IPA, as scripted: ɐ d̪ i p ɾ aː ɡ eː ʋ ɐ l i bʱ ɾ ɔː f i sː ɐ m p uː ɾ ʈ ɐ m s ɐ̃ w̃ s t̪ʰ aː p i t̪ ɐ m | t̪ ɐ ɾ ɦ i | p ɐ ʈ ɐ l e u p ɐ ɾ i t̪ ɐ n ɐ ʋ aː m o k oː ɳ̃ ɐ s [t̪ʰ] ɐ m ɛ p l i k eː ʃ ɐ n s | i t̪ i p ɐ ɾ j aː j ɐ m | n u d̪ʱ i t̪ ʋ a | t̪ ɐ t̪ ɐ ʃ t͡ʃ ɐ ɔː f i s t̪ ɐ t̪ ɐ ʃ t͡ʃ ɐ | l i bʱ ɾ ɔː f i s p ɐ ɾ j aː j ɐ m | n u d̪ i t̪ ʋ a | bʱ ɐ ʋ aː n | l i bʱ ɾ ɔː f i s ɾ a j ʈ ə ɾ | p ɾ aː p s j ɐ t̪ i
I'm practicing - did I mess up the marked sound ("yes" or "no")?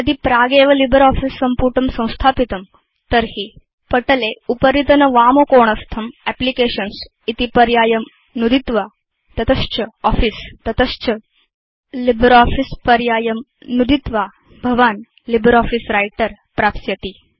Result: no